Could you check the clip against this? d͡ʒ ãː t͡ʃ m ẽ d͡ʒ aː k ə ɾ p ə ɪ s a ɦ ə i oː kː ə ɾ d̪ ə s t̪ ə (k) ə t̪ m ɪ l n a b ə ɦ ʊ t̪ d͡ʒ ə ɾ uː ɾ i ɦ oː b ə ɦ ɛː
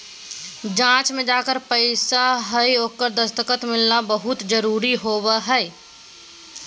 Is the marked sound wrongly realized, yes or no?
no